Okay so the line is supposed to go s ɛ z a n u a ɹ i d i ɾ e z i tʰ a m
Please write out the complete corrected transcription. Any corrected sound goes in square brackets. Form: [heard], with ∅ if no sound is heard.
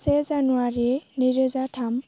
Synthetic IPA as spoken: s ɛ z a n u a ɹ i [n] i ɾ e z [a] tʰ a m